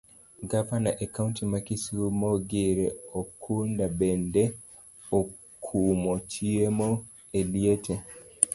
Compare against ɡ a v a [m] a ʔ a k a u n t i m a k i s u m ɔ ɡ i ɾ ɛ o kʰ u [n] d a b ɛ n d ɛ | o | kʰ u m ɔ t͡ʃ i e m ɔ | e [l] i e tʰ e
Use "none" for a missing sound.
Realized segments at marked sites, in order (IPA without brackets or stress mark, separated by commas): n, n, l